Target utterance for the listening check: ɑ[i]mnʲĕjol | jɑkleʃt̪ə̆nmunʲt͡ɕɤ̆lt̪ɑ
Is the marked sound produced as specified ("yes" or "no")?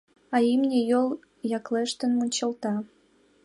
yes